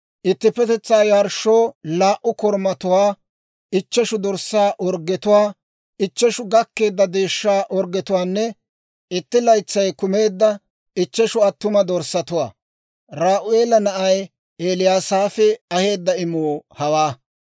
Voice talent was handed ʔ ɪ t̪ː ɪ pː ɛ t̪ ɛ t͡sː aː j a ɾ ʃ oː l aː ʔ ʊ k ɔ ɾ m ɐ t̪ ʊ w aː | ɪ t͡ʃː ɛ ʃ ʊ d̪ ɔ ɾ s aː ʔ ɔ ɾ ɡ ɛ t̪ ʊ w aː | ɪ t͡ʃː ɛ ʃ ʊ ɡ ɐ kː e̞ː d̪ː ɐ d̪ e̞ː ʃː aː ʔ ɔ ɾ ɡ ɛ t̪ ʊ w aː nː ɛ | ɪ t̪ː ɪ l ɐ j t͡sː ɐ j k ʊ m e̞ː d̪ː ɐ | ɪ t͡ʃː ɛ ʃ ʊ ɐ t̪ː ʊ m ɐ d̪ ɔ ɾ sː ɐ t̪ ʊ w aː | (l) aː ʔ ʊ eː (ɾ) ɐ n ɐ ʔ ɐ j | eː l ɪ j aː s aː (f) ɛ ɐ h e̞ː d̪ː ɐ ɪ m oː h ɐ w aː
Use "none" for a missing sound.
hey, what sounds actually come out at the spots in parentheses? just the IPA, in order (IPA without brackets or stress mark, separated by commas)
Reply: ɾ, l, f